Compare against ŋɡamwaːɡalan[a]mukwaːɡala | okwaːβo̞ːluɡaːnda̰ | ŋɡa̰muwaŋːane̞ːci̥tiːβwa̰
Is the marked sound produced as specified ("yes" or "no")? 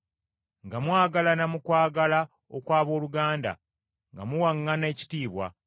yes